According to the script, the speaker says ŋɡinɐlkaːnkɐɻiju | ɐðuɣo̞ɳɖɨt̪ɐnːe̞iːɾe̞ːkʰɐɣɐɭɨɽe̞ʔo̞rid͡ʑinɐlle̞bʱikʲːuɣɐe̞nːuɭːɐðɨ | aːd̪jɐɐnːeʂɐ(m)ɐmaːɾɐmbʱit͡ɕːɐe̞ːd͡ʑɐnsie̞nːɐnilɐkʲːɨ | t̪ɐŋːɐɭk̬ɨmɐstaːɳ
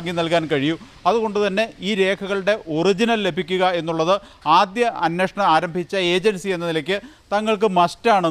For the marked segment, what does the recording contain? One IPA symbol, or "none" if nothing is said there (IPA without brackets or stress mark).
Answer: ɳ